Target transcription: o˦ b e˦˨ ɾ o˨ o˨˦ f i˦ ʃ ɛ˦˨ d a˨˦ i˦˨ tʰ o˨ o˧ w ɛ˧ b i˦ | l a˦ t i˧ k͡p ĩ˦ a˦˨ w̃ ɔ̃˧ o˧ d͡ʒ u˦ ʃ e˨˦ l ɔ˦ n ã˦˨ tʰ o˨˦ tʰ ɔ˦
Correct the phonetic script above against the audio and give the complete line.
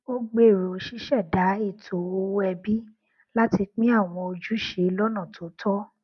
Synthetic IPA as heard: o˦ ɡ͡b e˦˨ ɾ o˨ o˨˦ ʃ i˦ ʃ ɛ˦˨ d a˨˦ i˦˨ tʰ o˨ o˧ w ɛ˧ b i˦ | l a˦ t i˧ k͡p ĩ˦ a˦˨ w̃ ɔ̃˧ o˧ d͡ʒ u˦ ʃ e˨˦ l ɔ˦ n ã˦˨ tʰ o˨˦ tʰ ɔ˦